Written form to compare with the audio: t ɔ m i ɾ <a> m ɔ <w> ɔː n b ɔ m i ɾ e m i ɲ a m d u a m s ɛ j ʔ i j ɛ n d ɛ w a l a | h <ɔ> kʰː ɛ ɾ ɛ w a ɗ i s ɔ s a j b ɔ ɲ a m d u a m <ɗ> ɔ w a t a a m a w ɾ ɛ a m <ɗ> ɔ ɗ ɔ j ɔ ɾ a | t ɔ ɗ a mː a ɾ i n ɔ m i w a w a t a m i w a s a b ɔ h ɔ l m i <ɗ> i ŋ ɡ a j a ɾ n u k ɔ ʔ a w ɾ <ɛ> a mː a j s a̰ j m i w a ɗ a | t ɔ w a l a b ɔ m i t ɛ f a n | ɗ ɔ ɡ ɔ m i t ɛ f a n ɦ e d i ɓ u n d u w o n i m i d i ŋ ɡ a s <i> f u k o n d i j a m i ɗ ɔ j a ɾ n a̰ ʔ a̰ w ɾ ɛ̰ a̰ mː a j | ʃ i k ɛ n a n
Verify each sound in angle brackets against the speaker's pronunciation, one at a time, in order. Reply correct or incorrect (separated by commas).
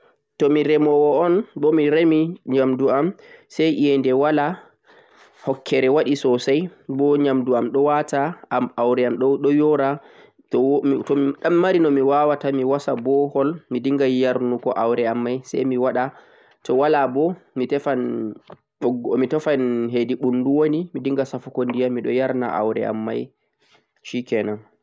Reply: incorrect, correct, correct, correct, correct, incorrect, correct, incorrect